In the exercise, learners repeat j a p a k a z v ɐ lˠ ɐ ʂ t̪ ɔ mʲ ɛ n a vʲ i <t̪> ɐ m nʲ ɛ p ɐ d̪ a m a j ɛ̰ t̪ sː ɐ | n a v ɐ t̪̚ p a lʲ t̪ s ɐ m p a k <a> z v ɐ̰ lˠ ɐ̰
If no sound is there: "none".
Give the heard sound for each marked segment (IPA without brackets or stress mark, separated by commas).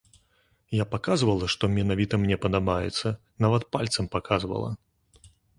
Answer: t̪, a